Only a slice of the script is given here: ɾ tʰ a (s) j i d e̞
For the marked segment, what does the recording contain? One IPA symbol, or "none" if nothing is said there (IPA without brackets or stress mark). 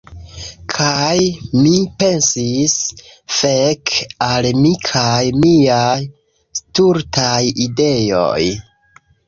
none